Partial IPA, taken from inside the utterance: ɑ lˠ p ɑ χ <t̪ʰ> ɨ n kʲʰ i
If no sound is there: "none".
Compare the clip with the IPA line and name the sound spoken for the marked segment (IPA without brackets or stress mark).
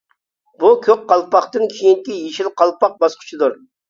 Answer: t̪